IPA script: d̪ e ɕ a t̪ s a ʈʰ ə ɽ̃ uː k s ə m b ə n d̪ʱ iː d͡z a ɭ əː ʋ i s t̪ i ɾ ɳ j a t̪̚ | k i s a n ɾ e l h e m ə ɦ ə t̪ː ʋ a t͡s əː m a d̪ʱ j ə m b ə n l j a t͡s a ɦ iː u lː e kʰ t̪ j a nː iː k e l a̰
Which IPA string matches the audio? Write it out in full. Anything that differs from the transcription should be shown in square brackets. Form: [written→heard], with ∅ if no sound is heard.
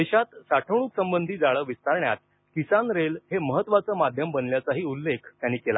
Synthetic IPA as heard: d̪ e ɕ a t̪ s a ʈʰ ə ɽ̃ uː k s ə m b ə n d̪ʱ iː d͡z a ɭ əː ʋ i s t̪ [i→a] ɾ ɳ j a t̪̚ | k i s a n ɾ e l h e m ə ɦ ə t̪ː ʋ a t͡s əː m a d̪ʱ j ə m b ə n l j a t͡s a ɦ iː u lː e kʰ t̪ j a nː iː k e l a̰

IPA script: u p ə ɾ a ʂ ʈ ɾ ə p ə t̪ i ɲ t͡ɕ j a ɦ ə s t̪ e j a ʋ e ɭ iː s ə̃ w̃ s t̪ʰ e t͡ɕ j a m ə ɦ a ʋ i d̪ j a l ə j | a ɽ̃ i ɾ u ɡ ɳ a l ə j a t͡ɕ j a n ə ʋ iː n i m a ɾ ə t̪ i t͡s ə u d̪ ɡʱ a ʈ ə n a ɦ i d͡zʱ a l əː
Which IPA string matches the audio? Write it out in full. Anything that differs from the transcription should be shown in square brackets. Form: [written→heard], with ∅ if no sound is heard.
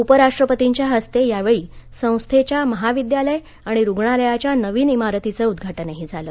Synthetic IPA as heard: u p ə ɾ a ʂ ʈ ɾ ə p ə t̪ i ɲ t͡ɕ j a ɦ ə s t̪ e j a ʋ e ɭ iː s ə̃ w̃ s t̪ʰ e t͡ɕ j a m ə ɦ a ʋ i d̪ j a l ə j | a ɽ̃ i ɾ u ɡ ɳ a l ə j a t͡ɕ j a n ə ʋ iː n i m a ɾ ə t̪ i t͡s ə u d̪ ɡʱ a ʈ ə n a ɦ i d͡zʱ a l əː

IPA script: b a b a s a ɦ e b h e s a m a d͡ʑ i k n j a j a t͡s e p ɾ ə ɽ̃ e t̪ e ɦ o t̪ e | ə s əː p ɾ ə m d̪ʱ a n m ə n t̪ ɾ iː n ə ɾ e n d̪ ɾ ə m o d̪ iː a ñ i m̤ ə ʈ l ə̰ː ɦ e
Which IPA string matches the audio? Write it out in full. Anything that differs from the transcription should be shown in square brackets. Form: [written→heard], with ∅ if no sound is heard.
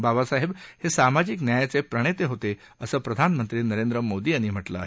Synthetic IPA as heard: b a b a s a ɦ e b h e s a m a d͡ʑ i k n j a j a t͡s e p ɾ ə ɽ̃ e t̪ e ɦ o t̪ e | ə s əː p ɾ ə [m→∅] d̪ʱ a n m ə n t̪ ɾ iː n ə ɾ e n d̪ ɾ ə m o d̪ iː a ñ i m̤ ə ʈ l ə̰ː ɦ e

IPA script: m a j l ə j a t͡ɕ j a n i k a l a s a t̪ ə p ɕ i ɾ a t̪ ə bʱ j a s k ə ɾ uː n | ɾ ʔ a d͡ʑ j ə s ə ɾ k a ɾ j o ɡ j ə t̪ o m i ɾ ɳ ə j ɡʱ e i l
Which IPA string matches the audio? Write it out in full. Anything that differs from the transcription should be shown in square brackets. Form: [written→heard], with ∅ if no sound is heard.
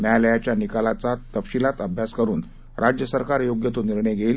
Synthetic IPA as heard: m a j l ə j a t͡ɕ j a n i k a l a [s→t͡s] a t̪ ə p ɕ i [ɾ→l] a t̪ ə bʱ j a s k ə ɾ uː n | ɾ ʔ a d͡ʑ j ə s ə ɾ k a ɾ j o ɡ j ə t̪ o [m→n] i ɾ ɳ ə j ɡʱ e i l

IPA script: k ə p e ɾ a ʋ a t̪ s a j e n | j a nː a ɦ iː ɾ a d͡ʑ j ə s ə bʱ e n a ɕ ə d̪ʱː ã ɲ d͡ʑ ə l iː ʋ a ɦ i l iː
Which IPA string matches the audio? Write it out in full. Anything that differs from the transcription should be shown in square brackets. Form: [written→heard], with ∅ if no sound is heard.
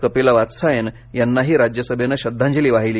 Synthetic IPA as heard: k ə p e [ɾ→l] a ʋ a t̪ s a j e n | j a nː a ɦ iː ɾ a d͡ʑ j ə s ə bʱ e n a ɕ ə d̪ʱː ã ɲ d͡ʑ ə l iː ʋ a ɦ i l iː

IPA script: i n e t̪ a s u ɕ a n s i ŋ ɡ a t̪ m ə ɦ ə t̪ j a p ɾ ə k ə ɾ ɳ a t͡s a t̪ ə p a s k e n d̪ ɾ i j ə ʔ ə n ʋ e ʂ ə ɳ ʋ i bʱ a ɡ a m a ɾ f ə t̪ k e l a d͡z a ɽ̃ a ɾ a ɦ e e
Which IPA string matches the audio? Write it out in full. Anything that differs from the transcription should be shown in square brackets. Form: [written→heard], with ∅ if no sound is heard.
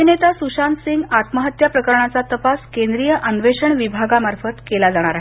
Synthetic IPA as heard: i n e t̪ a s u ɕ a n s i ŋ ɡ a t̪ m ə ɦ ə t̪ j a p ɾ ə k ə ɾ ɳ a t͡s a t̪ ə p a s k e n d̪ ɾ i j ə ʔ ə n ʋ e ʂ ə ɳ ʋ i bʱ a ɡ a m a ɾ f ə t̪ k e l a d͡z a ɽ̃ a ɾ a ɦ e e

